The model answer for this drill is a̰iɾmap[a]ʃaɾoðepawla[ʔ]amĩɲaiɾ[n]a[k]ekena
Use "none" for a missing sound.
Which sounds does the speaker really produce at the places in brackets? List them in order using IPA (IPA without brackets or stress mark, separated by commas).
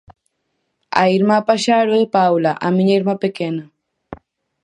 a, ʔ, m, p